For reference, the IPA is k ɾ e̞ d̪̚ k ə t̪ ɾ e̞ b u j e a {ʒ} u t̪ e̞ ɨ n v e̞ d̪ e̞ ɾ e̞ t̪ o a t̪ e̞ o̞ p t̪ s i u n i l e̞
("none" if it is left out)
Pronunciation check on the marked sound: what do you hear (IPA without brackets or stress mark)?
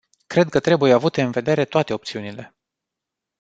v